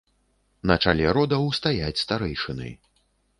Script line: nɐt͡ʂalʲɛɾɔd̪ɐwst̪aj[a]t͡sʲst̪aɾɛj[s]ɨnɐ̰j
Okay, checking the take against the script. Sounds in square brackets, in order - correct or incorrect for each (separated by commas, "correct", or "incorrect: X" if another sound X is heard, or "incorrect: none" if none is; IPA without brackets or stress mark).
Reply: correct, incorrect: ʂ